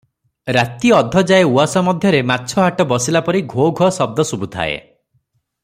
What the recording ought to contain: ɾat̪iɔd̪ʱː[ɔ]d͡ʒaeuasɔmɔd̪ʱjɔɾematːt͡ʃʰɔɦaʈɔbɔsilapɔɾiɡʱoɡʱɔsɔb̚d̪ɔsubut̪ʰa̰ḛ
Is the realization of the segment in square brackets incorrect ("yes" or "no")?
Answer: no